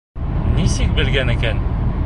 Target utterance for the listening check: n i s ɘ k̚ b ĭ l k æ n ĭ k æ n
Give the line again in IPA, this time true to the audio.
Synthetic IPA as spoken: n i s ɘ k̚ b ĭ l ɡ æ n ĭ k æ n